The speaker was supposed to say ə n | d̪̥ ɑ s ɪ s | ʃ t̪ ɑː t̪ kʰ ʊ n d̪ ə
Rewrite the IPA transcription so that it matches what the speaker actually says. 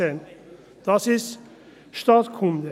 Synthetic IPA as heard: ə n | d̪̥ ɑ s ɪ s | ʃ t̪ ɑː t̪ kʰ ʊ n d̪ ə